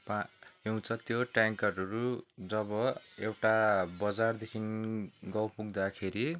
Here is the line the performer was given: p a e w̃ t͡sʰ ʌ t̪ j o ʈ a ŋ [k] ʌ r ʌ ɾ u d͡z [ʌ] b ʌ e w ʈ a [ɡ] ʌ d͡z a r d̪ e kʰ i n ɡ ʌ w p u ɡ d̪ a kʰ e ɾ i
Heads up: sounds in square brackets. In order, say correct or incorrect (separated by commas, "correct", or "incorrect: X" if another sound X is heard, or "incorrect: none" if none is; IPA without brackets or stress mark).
correct, correct, incorrect: b